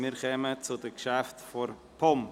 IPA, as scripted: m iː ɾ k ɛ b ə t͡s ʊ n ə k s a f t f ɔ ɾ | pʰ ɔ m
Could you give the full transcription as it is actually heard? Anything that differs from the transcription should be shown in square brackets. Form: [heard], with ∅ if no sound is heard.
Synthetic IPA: m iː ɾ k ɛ [m] ə t͡s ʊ [d] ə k [ʃ] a f t f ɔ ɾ | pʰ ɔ m